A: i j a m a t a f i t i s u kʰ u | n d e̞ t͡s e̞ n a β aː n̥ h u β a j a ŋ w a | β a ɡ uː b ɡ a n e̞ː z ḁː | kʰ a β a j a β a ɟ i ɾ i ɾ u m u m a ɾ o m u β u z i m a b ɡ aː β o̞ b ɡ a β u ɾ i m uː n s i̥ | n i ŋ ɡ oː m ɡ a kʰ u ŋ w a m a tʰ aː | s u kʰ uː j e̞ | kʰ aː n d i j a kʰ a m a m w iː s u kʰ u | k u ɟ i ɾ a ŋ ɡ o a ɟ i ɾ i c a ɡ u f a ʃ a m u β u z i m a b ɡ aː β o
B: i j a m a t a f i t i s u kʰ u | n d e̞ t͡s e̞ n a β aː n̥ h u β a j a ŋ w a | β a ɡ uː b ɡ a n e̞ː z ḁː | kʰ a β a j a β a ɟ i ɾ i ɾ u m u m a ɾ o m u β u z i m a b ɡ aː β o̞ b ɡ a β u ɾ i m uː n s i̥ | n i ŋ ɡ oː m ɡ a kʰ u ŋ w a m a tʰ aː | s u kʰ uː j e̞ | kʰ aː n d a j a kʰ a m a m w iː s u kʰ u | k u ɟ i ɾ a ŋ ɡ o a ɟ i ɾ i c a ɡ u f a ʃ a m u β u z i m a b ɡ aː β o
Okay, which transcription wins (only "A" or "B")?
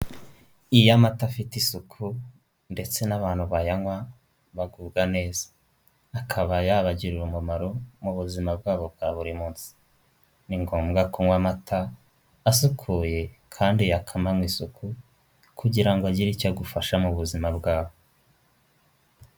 A